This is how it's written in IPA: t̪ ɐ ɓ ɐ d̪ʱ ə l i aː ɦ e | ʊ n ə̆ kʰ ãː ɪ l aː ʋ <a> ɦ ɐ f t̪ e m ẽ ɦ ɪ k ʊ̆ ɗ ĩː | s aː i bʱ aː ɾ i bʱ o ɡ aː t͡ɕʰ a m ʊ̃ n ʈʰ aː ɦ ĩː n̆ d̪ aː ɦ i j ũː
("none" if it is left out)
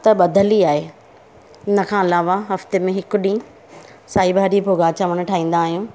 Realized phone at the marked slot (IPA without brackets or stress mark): a